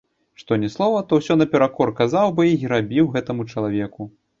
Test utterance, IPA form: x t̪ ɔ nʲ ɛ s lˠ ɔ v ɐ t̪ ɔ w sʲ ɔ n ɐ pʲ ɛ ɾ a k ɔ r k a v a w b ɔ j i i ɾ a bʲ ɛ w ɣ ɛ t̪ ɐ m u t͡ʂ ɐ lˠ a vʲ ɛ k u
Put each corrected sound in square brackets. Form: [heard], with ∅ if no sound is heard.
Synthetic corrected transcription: [ʂ] t̪ ɔ nʲ ɛ s lˠ ɔ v ɐ t̪ ɔ w sʲ ɔ n ɐ pʲ ɛ ɾ a k ɔ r k a [z] a w b ɔ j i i ɾ a bʲ [i] w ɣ ɛ t̪ ɐ m u t͡ʂ ɐ lˠ a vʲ ɛ k u

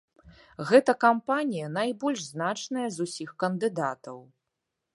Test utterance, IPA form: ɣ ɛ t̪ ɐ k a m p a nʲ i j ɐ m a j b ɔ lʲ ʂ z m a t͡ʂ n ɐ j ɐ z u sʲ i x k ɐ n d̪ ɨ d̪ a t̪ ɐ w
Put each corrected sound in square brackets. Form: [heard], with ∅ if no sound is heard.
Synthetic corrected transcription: ɣ ɛ t̪ ɐ k a m p a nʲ i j ɐ [n] a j b ɔ lʲ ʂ z [n] a t͡ʂ n ɐ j ɐ z u sʲ i x k ɐ n d̪ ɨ d̪ a t̪ ɐ w

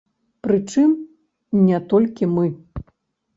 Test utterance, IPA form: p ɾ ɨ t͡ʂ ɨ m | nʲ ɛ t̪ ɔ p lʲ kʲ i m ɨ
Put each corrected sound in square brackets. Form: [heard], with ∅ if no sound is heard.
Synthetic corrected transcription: p ɾ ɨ t͡ʂ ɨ m | nʲ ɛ t̪ ɔ [∅] lʲ kʲ i m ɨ

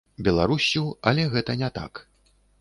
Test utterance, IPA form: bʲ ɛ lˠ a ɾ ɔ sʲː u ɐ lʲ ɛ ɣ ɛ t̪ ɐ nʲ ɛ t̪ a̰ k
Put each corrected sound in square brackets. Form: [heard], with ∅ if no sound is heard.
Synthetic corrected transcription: bʲ ɛ lˠ a ɾ [u] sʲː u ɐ lʲ ɛ ɣ ɛ t̪ ɐ nʲ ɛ t̪ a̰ k

